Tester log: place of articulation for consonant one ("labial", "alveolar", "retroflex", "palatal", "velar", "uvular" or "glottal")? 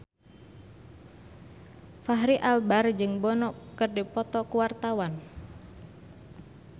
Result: labial